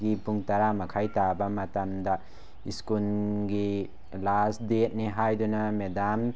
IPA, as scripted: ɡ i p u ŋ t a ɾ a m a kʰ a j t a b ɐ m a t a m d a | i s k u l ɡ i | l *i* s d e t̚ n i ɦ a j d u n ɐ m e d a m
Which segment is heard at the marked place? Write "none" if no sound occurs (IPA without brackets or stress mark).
a